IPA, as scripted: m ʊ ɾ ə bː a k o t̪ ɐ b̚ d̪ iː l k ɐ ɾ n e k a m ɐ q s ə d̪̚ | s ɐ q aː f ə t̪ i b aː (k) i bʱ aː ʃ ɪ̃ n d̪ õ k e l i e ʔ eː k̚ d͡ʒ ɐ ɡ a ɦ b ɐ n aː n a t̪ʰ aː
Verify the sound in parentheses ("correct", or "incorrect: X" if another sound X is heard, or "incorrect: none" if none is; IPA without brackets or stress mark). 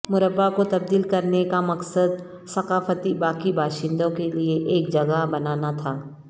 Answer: correct